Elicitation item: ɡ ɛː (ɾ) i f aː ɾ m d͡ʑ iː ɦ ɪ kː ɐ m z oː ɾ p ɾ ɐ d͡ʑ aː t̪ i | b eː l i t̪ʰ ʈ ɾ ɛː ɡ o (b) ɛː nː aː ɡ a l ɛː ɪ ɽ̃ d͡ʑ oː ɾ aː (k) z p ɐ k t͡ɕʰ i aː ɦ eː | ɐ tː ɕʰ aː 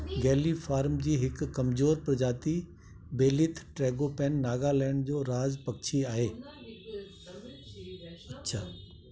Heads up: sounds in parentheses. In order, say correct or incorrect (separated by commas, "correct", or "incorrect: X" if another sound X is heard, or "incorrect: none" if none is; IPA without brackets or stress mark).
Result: incorrect: l, incorrect: p, incorrect: none